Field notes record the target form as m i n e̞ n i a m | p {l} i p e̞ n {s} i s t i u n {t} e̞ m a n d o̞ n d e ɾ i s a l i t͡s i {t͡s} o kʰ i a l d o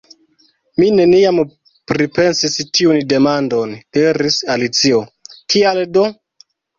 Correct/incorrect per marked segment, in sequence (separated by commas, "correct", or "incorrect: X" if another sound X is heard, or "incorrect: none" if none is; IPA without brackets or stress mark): incorrect: ɾ, correct, incorrect: d, incorrect: none